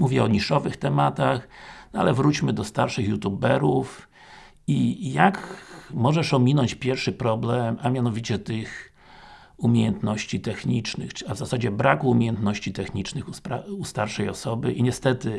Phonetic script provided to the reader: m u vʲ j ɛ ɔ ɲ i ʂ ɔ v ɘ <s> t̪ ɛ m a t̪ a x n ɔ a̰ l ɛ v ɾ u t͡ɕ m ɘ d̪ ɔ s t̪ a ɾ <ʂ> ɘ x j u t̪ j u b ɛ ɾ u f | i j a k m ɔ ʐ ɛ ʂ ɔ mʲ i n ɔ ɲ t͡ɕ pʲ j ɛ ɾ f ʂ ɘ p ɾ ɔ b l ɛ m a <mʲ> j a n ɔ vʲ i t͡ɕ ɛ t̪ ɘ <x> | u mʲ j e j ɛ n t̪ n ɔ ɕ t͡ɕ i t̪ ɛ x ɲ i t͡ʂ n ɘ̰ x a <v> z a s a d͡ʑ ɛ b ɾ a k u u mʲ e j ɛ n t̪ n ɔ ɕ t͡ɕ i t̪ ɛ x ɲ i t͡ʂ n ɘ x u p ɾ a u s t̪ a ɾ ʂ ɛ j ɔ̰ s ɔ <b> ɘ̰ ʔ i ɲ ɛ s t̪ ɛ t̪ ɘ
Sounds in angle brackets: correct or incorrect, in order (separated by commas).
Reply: incorrect, correct, correct, correct, correct, correct